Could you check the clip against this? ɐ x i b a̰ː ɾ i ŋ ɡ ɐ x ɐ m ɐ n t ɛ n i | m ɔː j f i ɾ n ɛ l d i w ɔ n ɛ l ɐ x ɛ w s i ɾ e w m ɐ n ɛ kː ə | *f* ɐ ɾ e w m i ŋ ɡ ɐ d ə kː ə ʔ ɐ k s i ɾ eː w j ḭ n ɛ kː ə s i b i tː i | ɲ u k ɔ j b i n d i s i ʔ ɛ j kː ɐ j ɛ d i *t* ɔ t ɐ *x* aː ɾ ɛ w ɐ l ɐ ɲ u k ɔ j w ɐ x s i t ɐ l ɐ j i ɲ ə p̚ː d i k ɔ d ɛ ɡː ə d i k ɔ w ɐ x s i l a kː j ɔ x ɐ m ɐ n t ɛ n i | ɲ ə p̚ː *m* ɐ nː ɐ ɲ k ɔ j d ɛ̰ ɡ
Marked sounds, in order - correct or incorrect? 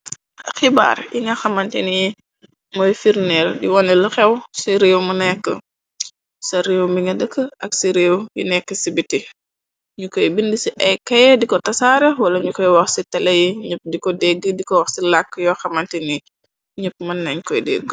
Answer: incorrect, incorrect, incorrect, correct

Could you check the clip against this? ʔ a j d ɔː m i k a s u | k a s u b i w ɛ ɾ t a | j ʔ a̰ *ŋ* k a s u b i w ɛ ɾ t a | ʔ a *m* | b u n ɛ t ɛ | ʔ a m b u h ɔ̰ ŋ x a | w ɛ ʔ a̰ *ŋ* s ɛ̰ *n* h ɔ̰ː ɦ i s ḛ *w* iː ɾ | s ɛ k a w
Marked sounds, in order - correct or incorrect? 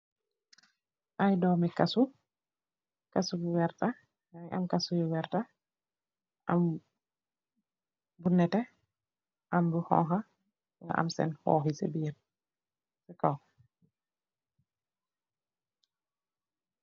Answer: incorrect, correct, incorrect, correct, incorrect

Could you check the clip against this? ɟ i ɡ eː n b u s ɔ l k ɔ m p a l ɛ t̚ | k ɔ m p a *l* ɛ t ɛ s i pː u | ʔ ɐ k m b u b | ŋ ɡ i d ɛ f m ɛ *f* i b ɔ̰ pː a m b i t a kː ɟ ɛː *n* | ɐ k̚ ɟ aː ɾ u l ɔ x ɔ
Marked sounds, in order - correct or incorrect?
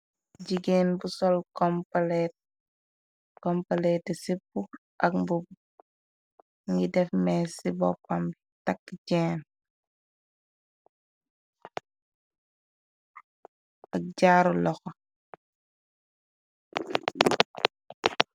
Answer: correct, incorrect, correct

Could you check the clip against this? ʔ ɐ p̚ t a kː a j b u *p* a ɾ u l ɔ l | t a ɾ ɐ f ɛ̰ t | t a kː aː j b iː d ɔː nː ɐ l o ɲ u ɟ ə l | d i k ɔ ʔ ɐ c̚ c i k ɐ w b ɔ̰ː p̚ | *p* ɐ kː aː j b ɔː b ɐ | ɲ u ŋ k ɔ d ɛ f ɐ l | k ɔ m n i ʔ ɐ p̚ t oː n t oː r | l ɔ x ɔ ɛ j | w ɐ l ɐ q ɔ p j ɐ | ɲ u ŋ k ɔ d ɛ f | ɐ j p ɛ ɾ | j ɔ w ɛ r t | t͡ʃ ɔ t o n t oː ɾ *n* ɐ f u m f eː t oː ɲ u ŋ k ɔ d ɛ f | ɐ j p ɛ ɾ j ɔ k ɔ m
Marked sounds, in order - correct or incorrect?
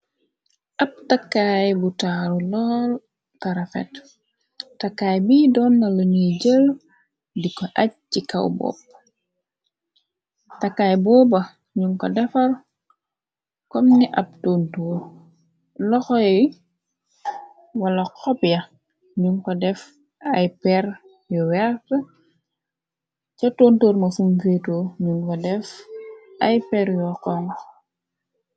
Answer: incorrect, incorrect, incorrect

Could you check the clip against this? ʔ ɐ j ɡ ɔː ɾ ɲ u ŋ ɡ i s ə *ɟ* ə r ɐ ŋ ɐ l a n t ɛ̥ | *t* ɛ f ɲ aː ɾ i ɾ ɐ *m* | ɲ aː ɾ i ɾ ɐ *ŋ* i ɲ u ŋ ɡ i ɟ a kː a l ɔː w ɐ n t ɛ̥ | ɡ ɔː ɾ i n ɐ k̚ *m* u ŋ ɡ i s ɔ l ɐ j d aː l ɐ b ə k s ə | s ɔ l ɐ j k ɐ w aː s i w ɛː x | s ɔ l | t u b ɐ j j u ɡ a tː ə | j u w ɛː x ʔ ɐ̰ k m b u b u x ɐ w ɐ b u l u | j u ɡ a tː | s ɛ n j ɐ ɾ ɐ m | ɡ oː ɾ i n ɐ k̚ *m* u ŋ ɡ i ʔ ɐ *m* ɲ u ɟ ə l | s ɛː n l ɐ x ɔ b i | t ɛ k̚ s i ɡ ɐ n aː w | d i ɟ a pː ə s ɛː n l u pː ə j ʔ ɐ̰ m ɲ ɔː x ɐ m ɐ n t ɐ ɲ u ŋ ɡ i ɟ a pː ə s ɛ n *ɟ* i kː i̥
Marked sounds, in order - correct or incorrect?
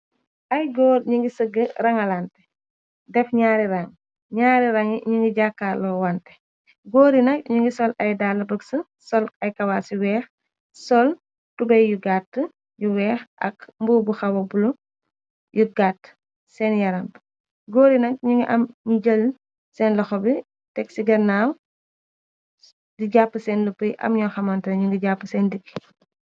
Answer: incorrect, incorrect, incorrect, correct, incorrect, incorrect, correct, incorrect

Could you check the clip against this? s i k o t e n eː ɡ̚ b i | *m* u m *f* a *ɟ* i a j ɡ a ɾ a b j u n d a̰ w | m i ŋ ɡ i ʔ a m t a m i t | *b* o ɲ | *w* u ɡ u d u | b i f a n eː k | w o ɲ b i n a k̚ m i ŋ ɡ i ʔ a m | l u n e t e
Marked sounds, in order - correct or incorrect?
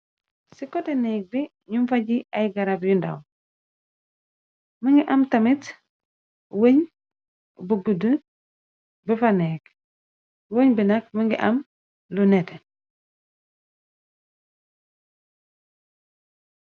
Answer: incorrect, correct, correct, incorrect, incorrect

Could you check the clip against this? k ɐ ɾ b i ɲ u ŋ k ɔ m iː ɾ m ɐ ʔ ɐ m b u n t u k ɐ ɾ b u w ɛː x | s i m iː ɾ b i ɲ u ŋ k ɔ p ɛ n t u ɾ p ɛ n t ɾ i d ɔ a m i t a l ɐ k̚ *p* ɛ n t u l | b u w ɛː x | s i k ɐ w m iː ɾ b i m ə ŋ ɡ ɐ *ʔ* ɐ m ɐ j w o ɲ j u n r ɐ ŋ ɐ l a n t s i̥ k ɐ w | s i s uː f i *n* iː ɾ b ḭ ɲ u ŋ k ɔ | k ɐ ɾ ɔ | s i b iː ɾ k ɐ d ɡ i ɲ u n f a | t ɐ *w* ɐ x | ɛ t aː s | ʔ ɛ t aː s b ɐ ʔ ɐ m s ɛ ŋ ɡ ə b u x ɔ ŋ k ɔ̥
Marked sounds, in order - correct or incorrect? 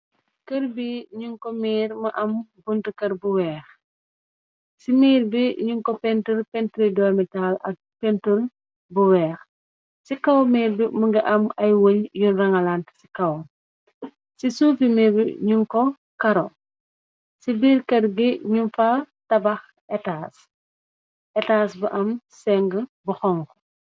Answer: correct, correct, incorrect, incorrect

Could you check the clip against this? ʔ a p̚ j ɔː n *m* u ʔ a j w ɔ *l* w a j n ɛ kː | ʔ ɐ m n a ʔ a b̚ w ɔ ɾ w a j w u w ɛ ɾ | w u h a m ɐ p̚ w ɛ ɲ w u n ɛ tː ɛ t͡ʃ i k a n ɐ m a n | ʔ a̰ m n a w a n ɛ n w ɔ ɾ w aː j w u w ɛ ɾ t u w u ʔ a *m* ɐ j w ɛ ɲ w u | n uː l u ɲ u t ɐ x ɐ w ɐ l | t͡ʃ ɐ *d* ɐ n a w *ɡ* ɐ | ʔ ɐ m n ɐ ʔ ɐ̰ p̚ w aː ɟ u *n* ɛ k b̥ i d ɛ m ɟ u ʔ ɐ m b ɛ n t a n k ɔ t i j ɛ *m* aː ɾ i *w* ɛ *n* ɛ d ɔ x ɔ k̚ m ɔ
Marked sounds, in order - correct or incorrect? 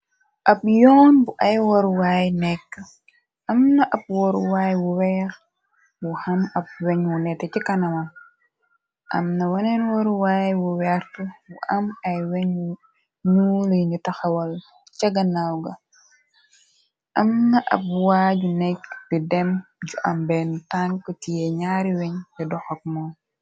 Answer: incorrect, incorrect, correct, incorrect, correct, correct, incorrect, correct, incorrect

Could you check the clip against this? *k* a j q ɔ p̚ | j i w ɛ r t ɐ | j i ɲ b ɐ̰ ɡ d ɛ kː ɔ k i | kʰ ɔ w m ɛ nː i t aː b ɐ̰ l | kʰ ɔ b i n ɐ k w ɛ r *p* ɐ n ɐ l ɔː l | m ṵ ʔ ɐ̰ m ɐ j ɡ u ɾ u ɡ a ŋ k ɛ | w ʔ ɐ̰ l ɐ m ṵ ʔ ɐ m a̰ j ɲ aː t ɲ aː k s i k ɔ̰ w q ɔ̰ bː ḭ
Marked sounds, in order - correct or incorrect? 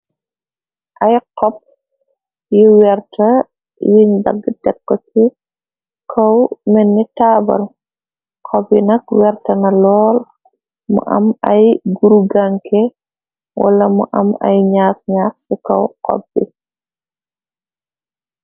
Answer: incorrect, incorrect

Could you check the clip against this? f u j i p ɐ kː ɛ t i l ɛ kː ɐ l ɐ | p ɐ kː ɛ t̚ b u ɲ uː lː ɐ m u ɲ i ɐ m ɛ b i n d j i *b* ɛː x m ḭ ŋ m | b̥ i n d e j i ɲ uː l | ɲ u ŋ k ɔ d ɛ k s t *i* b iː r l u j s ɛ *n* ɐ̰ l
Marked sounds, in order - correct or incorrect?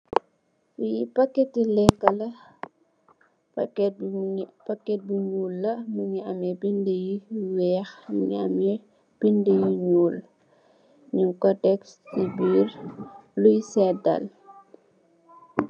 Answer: incorrect, correct, incorrect

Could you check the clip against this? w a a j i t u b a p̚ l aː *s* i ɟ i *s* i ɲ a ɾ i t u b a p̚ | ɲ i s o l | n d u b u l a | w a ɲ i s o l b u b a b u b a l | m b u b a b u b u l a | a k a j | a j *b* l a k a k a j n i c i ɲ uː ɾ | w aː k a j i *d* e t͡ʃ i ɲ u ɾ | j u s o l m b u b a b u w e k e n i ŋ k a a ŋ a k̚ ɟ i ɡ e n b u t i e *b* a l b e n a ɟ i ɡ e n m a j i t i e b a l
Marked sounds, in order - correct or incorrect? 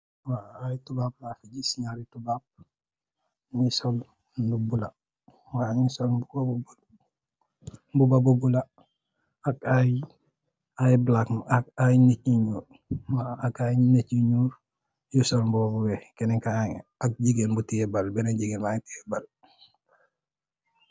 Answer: incorrect, correct, correct, incorrect, correct

